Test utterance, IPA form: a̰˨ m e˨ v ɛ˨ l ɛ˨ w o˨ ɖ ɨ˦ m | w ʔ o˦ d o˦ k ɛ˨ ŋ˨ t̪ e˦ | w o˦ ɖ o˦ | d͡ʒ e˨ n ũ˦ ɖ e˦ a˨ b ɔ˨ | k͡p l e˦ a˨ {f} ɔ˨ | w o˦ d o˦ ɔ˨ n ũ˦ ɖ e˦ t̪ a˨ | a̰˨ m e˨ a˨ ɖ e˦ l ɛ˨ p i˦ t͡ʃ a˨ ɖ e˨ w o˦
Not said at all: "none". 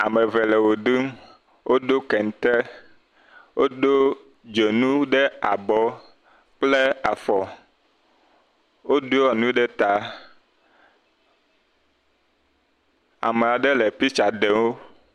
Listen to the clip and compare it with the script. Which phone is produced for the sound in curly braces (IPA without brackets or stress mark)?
f